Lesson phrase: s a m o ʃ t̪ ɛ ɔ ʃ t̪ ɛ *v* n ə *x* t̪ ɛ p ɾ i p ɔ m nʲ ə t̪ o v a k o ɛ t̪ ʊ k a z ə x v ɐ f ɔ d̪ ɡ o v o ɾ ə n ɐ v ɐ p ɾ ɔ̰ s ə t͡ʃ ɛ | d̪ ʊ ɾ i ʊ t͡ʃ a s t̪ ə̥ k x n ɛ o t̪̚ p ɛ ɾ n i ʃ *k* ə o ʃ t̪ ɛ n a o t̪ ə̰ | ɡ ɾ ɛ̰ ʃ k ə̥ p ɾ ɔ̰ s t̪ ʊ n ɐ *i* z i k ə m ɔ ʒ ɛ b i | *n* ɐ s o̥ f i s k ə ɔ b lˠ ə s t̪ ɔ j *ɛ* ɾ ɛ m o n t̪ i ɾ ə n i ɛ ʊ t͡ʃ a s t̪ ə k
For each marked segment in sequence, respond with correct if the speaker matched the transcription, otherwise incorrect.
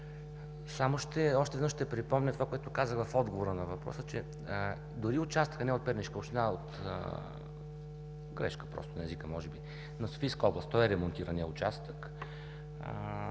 correct, incorrect: ʃ, correct, incorrect: ɛ, correct, correct

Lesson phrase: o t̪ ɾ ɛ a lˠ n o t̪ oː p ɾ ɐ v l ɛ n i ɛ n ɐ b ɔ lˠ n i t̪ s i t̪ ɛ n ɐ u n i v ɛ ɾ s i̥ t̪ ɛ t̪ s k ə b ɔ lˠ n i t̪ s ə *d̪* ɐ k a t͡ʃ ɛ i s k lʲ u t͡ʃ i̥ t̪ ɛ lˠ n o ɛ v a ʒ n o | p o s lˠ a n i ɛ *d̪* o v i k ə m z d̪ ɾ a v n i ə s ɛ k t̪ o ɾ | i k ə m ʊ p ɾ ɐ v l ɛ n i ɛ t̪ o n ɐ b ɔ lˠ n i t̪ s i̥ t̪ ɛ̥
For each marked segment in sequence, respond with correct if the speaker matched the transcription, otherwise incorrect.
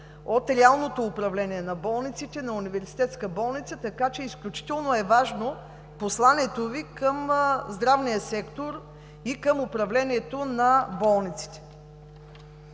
incorrect: t̪, incorrect: t̪

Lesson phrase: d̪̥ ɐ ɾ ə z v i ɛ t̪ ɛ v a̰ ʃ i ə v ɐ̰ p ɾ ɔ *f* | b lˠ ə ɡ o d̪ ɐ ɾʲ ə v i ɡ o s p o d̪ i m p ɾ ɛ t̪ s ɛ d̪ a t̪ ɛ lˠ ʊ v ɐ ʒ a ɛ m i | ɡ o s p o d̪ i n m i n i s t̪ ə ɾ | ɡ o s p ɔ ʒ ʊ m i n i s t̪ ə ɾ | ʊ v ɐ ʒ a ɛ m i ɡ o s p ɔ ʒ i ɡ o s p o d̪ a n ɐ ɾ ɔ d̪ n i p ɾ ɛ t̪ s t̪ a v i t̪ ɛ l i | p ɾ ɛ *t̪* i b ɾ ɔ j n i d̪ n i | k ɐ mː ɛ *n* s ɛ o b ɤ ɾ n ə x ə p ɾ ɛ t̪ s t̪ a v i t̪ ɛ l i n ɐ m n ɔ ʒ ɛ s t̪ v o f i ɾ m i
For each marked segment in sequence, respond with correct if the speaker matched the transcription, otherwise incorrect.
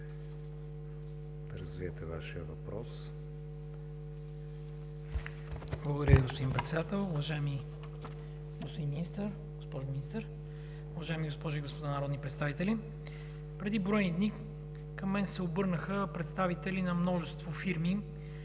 incorrect: s, incorrect: d̪, correct

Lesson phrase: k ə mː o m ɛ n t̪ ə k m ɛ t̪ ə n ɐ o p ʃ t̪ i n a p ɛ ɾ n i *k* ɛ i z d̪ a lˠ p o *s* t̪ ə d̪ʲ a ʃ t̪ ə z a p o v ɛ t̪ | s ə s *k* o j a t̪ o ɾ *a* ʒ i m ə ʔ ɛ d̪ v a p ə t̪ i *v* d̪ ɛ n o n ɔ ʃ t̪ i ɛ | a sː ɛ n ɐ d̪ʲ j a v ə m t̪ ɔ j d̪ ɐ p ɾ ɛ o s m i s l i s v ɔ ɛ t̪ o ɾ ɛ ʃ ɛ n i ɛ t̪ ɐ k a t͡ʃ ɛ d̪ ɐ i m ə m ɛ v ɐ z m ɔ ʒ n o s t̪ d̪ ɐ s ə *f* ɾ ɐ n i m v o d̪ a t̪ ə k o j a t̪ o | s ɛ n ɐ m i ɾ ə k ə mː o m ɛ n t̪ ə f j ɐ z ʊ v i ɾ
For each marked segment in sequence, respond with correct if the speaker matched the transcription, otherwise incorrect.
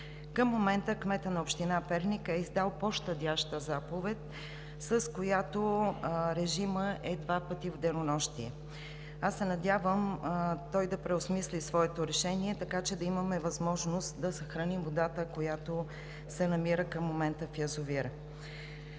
correct, incorrect: ʃ, correct, incorrect: ɛ, correct, incorrect: x

